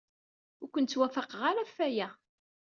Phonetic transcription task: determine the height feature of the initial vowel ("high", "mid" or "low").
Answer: high